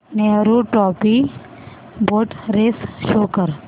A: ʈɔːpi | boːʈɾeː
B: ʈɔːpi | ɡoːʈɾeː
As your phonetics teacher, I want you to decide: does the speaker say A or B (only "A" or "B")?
A